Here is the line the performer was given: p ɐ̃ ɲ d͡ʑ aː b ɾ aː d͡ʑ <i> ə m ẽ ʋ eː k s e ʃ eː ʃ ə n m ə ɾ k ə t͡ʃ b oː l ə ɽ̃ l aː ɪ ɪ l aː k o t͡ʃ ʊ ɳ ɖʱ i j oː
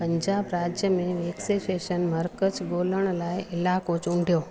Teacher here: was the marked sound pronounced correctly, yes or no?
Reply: no